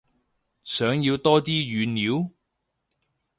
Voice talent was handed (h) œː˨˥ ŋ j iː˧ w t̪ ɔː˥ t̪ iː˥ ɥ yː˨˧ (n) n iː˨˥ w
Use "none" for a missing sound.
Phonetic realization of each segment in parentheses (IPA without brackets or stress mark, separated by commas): s, n